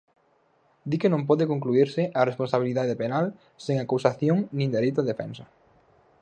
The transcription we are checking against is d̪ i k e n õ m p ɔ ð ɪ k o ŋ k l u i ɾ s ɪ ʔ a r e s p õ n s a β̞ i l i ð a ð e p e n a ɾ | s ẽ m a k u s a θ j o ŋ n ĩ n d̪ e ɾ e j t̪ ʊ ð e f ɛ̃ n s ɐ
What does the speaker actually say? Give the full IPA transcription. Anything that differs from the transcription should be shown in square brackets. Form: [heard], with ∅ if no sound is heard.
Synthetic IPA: d̪ i k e n õ m p ɔ ð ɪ k o ŋ k l u i ɾ s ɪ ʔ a r e s p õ n s a β̞ i l i ð a ð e p e n a [l] | s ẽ [ŋ] a k u s a θ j o ŋ n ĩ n d̪ e ɾ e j t̪ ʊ ð e f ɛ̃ n s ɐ